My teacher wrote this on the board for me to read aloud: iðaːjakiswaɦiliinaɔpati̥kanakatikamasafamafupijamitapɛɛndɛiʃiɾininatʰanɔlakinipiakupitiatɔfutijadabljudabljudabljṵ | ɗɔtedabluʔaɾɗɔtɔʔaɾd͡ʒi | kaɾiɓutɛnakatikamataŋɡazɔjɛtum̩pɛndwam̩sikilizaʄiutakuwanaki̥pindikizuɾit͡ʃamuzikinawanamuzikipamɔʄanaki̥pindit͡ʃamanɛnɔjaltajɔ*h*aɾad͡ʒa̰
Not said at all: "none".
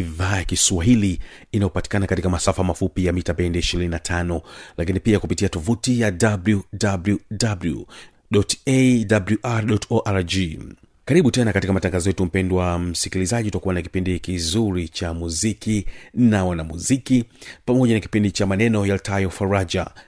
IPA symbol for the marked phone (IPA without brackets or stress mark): f